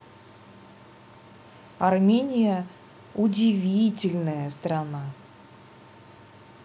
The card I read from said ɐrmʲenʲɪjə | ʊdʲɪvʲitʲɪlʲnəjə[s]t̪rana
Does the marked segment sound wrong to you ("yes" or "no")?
no